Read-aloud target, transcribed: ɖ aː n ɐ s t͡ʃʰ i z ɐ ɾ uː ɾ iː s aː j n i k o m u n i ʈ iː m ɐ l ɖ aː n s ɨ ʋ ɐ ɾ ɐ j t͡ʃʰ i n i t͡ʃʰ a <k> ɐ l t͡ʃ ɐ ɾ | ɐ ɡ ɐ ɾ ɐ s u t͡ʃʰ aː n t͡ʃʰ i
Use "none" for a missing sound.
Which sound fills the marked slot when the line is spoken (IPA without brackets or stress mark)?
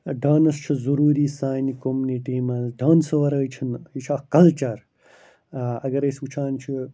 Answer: k